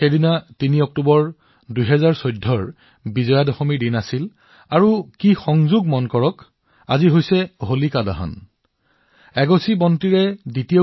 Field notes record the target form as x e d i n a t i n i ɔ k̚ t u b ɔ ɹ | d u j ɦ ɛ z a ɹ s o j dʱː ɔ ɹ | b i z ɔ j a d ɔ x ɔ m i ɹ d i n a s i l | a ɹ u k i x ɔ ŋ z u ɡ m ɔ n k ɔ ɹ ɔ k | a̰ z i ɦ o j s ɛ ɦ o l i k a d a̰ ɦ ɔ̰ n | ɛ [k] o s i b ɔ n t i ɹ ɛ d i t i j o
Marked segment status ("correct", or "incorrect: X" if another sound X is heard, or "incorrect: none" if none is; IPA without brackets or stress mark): incorrect: ɡ